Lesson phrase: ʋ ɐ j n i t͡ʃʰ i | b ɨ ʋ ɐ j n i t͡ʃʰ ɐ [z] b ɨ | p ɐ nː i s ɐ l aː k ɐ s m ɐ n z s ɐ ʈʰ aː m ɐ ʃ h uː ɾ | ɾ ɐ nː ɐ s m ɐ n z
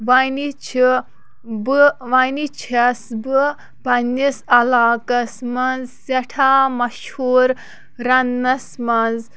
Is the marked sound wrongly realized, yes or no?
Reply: yes